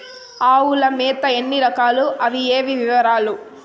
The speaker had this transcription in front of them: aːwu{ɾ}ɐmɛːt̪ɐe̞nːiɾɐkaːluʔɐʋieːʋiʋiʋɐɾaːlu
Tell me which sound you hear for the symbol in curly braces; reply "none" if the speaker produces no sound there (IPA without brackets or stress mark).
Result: l